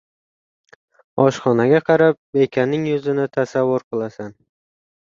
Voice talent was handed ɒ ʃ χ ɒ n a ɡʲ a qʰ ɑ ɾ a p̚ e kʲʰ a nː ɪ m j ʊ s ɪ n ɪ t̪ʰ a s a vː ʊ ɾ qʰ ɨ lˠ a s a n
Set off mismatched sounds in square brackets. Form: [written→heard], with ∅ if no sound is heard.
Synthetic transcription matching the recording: ɒ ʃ χ ɒ n a ɡʲ a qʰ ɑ ɾ a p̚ e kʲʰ a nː ɪ [m→ŋ] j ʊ [s→z] ɪ n ɪ t̪ʰ a s a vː ʊ ɾ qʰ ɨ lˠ a s a n